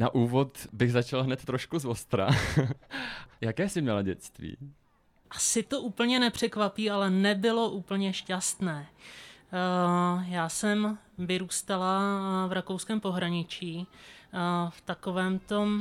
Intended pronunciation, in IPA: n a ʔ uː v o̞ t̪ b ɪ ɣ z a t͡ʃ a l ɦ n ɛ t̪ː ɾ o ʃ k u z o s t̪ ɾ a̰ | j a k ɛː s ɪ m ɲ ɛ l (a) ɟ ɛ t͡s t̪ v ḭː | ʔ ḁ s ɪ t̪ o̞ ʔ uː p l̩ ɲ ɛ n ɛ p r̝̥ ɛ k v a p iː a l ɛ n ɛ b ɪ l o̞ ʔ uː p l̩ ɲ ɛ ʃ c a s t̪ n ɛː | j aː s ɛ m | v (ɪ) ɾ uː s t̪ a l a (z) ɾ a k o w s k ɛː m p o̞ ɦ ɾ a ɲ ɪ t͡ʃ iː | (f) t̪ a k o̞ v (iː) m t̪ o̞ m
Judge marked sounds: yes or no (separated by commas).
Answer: yes, yes, no, yes, no